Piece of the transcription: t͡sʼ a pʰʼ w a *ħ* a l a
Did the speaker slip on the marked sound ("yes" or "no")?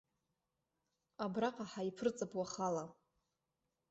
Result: yes